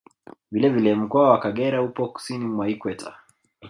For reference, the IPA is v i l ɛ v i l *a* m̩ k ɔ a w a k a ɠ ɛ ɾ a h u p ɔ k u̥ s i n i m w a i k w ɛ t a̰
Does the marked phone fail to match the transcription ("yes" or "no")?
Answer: yes